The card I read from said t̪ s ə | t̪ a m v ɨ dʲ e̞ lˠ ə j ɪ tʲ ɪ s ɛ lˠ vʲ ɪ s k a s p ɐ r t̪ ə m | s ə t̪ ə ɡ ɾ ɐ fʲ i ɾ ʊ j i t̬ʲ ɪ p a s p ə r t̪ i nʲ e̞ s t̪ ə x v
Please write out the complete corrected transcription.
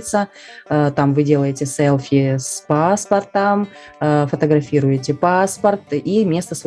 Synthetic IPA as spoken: t̪ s ə | t̪ a m v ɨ dʲ e̞ lˠ ə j ɪ tʲ ɪ s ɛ lˠ fʲ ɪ s p a s p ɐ r t̪ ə m | f ə t̪ ə ɡ ɾ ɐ fʲ i ɾ ʊ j ɪ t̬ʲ ɪ p a s p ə r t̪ i mʲ e̞ s t̪ ə s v